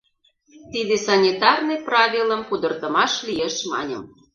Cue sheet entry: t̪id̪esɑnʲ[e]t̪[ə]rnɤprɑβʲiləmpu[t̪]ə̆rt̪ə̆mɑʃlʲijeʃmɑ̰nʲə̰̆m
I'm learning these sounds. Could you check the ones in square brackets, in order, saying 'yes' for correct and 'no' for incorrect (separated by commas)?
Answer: no, no, no